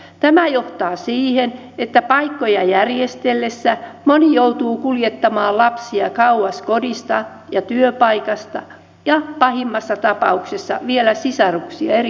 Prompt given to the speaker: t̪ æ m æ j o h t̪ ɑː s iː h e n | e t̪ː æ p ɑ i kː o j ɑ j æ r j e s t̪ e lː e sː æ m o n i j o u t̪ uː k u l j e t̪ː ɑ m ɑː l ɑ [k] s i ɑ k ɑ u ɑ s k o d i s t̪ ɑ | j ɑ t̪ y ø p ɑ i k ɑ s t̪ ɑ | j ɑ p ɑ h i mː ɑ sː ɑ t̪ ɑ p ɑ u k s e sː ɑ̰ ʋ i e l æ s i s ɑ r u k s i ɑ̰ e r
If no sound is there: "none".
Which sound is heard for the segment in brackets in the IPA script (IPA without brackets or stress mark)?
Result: p